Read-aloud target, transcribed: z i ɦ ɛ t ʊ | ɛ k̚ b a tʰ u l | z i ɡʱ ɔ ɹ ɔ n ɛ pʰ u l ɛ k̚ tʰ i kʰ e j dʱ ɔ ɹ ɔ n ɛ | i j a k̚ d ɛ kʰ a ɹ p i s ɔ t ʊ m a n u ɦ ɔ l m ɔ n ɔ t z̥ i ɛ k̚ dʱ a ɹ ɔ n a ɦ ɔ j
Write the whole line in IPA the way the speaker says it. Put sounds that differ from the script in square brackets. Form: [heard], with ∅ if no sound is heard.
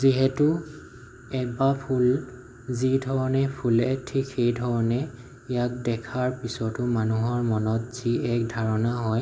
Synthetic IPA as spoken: z i ɦ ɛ t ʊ | ɛ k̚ b a [pʰ] u l | z i [dʱ] ɔ ɹ ɔ n ɛ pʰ u l ɛ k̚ tʰ i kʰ e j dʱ ɔ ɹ ɔ n ɛ | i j a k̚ d ɛ kʰ a ɹ p i s ɔ t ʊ m a n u ɦ ɔ [ɹ] m ɔ n ɔ t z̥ i ɛ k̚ dʱ a ɹ ɔ n a ɦ ɔ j

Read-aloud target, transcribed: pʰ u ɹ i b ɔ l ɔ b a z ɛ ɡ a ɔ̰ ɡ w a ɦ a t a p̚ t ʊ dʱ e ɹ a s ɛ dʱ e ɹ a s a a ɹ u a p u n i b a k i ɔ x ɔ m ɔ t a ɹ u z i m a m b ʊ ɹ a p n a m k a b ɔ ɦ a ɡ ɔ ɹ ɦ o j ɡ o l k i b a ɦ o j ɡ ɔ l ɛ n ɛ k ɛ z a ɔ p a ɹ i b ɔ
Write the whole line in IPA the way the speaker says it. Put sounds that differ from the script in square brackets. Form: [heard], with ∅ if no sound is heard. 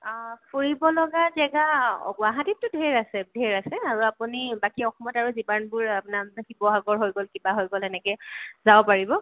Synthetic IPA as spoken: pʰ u ɹ i b ɔ l ɔ [ɡ] a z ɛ ɡ a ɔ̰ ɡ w a ɦ a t [i] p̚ t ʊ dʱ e ɹ a s ɛ dʱ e ɹ a s [ɛ] a ɹ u a p u n i b a k i ɔ x ɔ m ɔ t a ɹ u z i [b] a [n] b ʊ ɹ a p n a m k [i] b ɔ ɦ a ɡ ɔ ɹ ɦ o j ɡ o l k i b a ɦ o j ɡ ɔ l ɛ n ɛ k ɛ z a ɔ p a ɹ i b ɔ

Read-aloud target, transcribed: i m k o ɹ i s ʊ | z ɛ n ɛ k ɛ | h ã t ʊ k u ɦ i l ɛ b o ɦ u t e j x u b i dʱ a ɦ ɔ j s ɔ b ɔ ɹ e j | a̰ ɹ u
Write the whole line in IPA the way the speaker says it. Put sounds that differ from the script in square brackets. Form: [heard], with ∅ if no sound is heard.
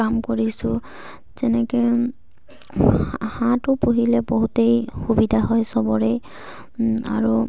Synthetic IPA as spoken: [a] m k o ɹ i s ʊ | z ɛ n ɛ k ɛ | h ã t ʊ [p] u ɦ i l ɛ b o ɦ u t e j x u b i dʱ a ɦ ɔ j s ɔ b ɔ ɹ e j | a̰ ɹ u

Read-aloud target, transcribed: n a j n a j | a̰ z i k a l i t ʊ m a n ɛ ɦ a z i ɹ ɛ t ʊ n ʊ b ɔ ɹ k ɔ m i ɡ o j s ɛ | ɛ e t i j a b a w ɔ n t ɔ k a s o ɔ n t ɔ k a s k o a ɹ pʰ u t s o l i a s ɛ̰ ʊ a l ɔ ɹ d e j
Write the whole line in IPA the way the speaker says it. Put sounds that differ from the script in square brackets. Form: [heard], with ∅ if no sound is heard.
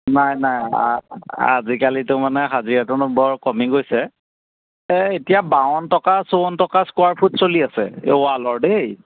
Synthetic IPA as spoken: n a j n a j | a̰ z i k a l i t ʊ m a n ɛ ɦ a z i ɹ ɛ t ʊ n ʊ b ɔ ɹ k ɔ m i ɡ o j s ɛ | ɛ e t i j a b a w ɔ n t ɔ k a s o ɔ n t ɔ k a s k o a ɹ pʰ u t s o l i a s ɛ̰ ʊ a l ɔ ɹ d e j

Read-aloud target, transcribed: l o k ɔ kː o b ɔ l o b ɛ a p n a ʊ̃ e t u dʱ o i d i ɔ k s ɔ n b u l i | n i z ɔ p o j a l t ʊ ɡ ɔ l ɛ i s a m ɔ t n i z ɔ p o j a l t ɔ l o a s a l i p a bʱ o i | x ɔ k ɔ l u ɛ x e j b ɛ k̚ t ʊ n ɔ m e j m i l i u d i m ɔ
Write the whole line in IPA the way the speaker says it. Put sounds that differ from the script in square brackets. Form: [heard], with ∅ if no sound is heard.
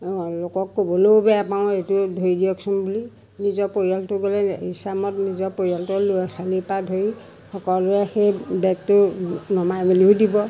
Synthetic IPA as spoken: l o k ɔ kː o b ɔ l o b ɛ a p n a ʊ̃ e t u dʱ o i d i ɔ k s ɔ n b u l i | n i z ɔ p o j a l t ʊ ɡ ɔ l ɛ i s a m ɔ t n i z ɔ p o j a l t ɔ l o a s a l i p a [dʱ] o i | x ɔ k ɔ l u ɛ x e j b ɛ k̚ t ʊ n ɔ m [a] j m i l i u d i [b] ɔ

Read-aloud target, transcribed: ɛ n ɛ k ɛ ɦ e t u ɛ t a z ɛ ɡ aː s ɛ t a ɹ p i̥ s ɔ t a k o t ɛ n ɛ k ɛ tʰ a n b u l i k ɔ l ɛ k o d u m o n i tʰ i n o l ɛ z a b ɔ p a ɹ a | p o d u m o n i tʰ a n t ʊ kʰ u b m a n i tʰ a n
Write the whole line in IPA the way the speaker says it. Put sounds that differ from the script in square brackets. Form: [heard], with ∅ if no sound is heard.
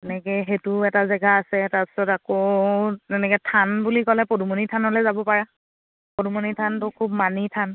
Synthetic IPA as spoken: ɛ n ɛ k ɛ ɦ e t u ɛ t a z ɛ ɡ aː s ɛ t a ɹ p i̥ s ɔ t a k o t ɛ n ɛ k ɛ tʰ a n b u l i k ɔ l ɛ [p] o d u m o n i tʰ [a] n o l ɛ z a b ɔ p a ɹ a | p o d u m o n i tʰ a n t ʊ kʰ u b m a n i tʰ a n

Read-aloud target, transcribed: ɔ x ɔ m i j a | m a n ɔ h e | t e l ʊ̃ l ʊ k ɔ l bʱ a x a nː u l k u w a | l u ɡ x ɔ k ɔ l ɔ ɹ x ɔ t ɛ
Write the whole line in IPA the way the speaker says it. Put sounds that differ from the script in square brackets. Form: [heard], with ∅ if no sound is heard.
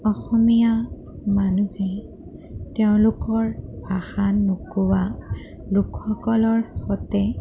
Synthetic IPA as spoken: ɔ x ɔ m i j a | m a n [u] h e | t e [∅] ʊ̃ l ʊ k ɔ [ɹ] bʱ a x a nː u [∅] k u w a | l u [k] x ɔ k ɔ l ɔ ɹ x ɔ t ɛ

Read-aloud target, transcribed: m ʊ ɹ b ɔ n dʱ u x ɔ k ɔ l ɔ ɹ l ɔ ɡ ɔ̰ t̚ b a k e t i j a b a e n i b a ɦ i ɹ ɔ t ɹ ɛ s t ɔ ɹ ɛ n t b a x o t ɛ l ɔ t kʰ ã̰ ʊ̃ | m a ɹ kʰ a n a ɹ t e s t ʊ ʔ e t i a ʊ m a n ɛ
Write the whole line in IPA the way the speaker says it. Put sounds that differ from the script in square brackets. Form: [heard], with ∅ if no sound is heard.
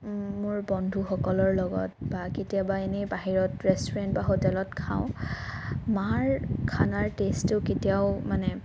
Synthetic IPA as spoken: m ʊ ɹ b ɔ n dʱ u x ɔ k ɔ l ɔ ɹ l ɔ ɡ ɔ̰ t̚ b a k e t i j a b a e n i b a ɦ i ɹ ɔ t ɹ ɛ s t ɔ ɹ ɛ n t b a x o t ɛ l ɔ t kʰ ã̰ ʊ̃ | m a ɹ kʰ a n a ɹ t e s t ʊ [k] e t i a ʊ m a n ɛ

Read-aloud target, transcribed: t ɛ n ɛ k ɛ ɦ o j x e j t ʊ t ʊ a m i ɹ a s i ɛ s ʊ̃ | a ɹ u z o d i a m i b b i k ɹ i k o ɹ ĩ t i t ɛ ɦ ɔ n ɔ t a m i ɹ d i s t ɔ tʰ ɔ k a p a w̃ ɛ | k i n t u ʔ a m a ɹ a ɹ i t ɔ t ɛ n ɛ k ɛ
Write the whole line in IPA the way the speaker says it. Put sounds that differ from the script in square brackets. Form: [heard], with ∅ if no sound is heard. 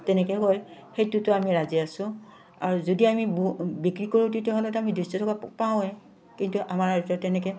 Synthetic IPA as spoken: t ɛ n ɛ k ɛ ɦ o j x e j t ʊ t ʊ a m i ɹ a [z] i [a] s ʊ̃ | a ɹ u z o d i a m i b b i k ɹ i k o ɹ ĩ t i t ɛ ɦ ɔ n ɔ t a m i [∅] d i s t ɔ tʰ ɔ k a p a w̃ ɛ | k i n t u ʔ a m a ɹ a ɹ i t ɔ t ɛ n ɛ k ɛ

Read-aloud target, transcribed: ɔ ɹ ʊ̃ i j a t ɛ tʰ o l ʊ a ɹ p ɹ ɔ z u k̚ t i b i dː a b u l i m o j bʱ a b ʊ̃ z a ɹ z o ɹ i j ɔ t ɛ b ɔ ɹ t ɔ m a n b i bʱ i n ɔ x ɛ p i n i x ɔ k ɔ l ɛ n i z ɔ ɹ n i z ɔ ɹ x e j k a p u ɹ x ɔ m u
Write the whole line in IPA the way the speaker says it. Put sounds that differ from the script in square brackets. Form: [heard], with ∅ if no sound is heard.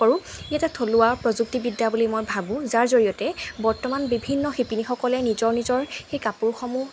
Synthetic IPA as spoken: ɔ ɹ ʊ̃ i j a t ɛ tʰ o l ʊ a ɹ p ɹ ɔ z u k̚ t i b i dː a b u l i m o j bʱ a b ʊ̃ z a ɹ z o ɹ i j ɔ t ɛ b ɔ ɹ t ɔ m a n b i bʱ i [nː] ɔ x [i] p i n i x ɔ k ɔ l ɛ n i z ɔ ɹ n i z ɔ ɹ x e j k a p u ɹ x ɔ m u

